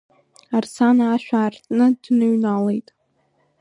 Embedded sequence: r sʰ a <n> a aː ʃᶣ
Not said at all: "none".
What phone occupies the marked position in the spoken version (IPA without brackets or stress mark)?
n